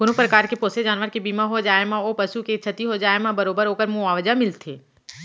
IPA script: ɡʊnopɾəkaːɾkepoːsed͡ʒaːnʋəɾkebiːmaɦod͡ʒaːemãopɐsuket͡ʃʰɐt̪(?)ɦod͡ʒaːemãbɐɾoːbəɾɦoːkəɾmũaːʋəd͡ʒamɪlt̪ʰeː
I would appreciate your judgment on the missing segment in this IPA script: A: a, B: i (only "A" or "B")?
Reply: B